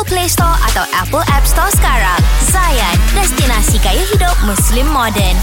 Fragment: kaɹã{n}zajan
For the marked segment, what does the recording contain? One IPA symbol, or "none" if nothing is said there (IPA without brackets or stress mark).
ŋ